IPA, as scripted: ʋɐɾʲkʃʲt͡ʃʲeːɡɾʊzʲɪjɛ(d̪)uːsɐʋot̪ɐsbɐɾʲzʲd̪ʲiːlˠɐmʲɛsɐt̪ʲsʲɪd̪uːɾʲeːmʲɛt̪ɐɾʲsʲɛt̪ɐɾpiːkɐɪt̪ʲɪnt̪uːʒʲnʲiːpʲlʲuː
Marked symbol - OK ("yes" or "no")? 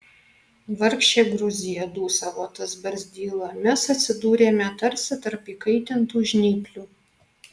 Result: yes